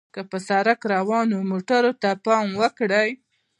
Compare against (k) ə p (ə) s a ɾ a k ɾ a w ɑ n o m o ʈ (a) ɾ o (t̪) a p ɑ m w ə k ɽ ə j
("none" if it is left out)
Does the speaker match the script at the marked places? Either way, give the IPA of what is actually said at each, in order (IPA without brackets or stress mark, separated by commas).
k, ə, a, t̪